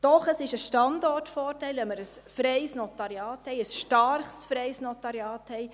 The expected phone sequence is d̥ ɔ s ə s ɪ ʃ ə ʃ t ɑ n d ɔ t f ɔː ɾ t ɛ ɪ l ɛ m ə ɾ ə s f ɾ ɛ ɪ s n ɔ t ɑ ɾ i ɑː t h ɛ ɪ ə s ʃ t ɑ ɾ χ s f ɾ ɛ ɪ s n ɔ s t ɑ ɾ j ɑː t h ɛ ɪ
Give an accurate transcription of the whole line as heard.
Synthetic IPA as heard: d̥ ɔ χ ə s ɪ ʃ ə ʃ t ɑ n d ɔ t f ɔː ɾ t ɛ ɪ l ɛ m ə ɾ ə s f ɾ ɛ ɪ s n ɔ t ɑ ɾ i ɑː t h ɛ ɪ ə s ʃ t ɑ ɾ χ s f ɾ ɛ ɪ s n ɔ t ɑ ɾ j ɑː t h ɛ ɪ